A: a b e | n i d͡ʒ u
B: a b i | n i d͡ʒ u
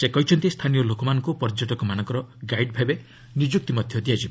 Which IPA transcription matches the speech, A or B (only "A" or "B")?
A